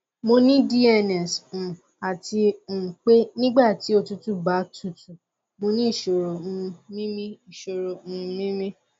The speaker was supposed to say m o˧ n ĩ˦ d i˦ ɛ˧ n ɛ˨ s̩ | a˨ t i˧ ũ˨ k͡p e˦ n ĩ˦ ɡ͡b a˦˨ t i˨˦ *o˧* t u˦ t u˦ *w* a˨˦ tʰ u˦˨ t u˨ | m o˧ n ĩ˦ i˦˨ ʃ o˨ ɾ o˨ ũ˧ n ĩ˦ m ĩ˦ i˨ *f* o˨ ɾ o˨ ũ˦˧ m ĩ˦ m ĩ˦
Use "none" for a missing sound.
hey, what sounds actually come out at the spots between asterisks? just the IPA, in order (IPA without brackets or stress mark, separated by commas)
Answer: o˧, b, ʃ